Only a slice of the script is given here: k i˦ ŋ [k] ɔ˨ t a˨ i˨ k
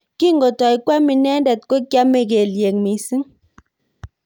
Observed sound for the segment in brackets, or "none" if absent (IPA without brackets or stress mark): ɡ